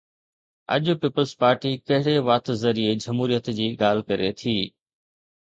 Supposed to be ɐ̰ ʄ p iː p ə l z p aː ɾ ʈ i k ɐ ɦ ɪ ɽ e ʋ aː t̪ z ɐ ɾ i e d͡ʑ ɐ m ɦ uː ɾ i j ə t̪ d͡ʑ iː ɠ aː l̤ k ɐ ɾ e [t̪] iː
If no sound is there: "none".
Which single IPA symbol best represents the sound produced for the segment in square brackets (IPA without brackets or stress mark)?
t̪ʰ